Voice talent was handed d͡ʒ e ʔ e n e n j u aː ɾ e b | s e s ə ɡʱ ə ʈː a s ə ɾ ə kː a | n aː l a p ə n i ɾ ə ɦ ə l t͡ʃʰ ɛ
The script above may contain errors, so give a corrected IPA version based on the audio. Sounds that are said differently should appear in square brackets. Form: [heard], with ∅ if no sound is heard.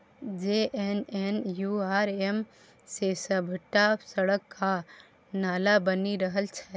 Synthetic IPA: d͡ʒ e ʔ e n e n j u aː ɾ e [m] | s e s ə [bʱ] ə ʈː a s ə [ɽ] ə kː a | n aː l a [b] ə n i ɾ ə ɦ ə l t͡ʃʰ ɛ